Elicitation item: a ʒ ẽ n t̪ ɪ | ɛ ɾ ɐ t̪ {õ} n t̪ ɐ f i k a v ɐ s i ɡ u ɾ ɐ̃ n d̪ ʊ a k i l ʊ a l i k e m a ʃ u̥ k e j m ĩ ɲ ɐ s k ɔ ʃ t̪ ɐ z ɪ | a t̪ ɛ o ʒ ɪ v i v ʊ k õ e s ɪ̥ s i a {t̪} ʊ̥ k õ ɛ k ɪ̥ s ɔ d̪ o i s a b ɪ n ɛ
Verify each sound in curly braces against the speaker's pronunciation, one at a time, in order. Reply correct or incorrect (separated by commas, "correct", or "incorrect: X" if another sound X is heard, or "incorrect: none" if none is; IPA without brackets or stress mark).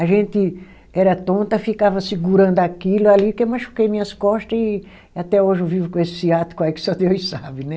correct, correct